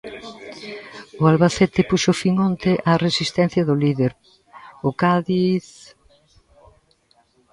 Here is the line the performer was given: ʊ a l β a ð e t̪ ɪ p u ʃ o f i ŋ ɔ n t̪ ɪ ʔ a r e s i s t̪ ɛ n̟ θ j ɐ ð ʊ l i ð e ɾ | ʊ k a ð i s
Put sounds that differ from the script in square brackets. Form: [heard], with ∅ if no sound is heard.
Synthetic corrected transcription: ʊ a l β a [θ] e t̪ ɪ p u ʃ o f i ŋ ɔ n t̪ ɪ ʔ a r e s i s t̪ ɛ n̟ θ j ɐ ð ʊ l i ð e ɾ | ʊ k a ð i [θ]